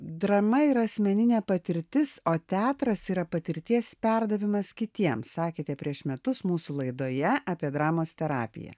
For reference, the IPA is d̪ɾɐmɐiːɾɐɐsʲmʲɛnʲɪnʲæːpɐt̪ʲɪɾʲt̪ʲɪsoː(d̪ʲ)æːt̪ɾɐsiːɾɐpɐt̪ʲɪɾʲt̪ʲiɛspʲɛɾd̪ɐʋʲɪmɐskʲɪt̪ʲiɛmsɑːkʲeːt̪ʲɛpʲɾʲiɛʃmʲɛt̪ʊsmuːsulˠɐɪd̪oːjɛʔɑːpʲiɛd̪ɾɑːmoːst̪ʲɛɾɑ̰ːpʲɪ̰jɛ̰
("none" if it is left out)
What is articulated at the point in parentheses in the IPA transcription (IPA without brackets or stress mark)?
t̪ʲ